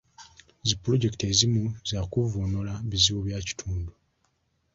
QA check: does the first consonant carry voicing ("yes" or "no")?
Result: yes